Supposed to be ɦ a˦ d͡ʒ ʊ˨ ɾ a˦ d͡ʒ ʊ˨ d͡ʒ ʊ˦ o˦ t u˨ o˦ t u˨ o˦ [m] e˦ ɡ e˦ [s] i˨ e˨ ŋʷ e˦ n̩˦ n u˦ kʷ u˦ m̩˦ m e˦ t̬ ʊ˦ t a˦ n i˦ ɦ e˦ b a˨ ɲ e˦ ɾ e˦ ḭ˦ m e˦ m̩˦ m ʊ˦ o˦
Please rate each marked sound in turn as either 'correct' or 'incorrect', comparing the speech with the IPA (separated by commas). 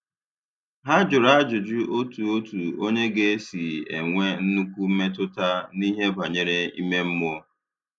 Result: incorrect, correct